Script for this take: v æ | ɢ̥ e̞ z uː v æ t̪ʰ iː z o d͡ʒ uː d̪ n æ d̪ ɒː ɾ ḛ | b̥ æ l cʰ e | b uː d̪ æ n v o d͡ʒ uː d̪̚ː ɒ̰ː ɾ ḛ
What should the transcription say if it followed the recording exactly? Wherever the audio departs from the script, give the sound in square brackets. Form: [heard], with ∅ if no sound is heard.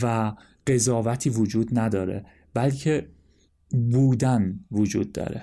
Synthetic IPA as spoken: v æ | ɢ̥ e̞ z [ɒː] v æ t̪ʰ iː [v] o d͡ʒ uː d̪ n æ d̪ ɒː ɾ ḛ | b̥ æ l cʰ e | b uː d̪ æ n v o d͡ʒ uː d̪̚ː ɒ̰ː ɾ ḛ